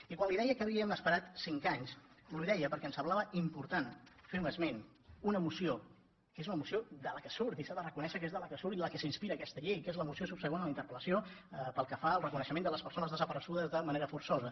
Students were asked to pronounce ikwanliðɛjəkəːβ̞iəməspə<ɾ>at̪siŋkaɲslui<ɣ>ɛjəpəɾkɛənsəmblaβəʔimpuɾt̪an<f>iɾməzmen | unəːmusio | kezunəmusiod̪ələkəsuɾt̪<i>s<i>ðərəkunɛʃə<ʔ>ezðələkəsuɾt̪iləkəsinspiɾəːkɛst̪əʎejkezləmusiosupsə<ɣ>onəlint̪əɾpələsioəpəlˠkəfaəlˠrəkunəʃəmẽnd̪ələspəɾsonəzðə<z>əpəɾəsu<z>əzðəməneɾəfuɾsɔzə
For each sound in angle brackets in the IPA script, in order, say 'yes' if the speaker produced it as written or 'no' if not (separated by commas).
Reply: yes, no, yes, yes, no, no, yes, yes, no